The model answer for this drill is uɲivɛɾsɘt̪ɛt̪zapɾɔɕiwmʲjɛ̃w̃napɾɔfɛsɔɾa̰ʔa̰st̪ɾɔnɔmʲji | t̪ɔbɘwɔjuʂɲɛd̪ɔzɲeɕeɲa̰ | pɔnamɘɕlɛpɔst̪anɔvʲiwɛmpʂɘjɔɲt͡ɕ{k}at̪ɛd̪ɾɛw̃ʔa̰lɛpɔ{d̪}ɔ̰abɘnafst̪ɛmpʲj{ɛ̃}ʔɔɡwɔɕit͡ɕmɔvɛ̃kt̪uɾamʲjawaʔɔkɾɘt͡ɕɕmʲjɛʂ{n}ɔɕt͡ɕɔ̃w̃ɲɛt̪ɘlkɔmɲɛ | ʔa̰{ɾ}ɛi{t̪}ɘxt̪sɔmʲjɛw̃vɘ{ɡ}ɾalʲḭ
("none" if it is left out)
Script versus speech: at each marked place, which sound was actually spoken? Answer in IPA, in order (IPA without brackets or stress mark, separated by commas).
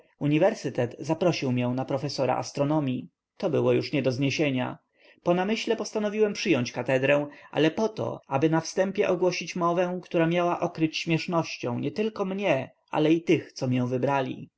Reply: k, t̪, ɛ, n, l, t̪, b